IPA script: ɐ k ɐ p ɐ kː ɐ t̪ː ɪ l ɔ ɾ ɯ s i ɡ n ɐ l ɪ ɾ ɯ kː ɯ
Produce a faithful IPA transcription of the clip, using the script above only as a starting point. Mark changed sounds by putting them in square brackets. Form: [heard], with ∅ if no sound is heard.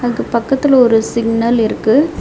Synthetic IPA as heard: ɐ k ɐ p ɐ kː ɐ t̪ː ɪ l ɔ ɾ ɯ s [ɪ] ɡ n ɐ l ɪ ɾ ɯ kː ɯ